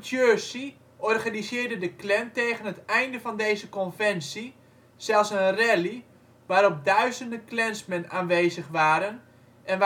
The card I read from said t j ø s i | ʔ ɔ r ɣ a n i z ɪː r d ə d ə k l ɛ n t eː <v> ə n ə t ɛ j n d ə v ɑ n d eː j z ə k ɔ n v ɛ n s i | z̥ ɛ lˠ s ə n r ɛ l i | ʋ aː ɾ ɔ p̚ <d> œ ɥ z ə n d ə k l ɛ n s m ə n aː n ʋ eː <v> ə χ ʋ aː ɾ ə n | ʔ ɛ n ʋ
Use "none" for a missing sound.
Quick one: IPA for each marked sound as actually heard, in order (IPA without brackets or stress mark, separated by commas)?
ɣ, d, z